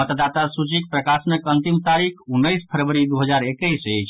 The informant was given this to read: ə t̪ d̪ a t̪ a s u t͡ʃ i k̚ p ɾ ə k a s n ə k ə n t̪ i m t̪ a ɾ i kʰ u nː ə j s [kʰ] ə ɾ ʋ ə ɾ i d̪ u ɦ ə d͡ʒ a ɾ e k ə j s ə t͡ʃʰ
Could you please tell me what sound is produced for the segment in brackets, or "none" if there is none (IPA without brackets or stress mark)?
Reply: pʰ